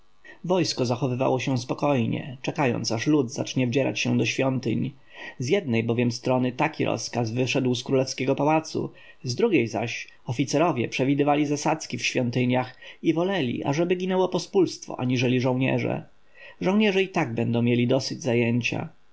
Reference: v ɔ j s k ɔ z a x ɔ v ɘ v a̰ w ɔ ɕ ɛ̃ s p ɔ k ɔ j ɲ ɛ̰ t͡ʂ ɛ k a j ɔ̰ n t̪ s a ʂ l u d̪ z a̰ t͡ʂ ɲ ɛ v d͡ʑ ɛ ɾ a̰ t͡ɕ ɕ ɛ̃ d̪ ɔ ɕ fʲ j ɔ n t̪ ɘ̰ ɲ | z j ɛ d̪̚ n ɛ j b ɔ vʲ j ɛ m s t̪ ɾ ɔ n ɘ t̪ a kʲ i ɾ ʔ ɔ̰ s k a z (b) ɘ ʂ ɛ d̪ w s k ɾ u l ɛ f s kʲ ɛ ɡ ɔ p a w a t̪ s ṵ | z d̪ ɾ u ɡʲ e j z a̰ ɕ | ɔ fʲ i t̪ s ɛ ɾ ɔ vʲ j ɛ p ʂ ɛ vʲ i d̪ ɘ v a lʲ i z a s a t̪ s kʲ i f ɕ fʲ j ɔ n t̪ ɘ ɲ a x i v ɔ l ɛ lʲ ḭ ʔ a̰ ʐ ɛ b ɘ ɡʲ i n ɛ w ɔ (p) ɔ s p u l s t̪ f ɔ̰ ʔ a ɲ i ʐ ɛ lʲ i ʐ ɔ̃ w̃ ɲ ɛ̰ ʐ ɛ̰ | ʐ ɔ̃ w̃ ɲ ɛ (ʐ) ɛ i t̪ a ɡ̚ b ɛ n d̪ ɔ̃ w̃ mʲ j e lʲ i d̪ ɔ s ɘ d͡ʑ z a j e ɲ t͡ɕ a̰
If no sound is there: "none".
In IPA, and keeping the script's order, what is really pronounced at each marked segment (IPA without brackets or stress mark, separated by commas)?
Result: v, p, ʐ